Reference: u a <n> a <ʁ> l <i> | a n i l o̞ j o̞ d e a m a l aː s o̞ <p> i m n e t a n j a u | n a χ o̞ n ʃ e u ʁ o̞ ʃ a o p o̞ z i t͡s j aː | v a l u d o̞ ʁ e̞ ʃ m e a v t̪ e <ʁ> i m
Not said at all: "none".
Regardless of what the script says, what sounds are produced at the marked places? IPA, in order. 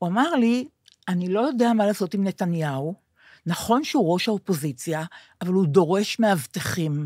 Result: m, ʁ, i, t, χ

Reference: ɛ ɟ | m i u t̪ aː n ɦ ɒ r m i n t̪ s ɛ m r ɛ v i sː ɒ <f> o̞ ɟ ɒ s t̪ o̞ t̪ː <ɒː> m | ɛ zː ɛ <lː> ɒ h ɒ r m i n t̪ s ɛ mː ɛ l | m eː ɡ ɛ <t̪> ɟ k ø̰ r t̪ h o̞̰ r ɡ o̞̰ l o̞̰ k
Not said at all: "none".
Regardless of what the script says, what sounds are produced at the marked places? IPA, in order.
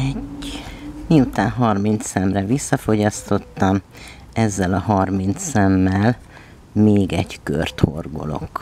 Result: f, ɒ, l, none

